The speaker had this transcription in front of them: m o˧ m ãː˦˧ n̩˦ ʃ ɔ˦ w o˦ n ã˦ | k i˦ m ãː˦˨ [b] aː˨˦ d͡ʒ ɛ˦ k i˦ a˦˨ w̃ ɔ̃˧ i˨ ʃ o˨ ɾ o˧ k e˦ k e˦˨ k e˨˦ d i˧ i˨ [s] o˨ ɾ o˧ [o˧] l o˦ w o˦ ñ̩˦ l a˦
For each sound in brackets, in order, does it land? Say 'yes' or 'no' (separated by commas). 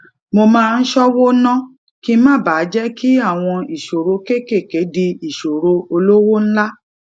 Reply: yes, no, yes